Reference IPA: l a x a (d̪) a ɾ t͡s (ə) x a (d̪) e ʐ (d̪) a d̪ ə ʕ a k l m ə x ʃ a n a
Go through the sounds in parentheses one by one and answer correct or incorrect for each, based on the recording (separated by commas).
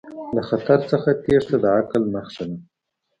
incorrect, correct, incorrect, incorrect